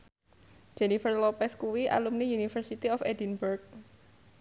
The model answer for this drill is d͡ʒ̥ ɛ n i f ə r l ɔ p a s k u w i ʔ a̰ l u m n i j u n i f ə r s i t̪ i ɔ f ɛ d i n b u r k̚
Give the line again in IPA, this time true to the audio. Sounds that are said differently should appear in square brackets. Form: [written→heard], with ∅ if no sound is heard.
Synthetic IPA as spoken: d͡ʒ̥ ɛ n i f ə r l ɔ p [a→ɛ] s k u w i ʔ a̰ l u m n i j u n i f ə r s i t̪ i ɔ f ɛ d i n b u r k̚